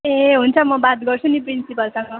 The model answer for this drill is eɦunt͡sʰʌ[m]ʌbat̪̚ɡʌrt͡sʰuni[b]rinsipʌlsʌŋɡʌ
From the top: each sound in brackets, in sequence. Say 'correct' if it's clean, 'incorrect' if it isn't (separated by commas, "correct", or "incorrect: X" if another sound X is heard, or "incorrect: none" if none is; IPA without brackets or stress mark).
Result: correct, incorrect: p